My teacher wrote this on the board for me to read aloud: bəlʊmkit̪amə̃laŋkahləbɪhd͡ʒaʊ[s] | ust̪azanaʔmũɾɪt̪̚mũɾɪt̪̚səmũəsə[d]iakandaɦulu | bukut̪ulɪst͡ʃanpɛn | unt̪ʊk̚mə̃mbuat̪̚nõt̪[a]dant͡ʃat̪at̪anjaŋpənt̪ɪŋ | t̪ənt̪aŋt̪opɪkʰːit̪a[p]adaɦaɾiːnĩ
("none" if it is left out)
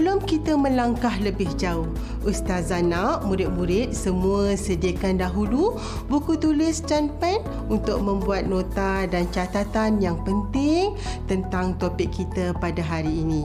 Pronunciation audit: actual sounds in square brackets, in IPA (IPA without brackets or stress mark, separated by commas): h, d, a, p